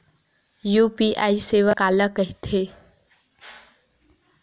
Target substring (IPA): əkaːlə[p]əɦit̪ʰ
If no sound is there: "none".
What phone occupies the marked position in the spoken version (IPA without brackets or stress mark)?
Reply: k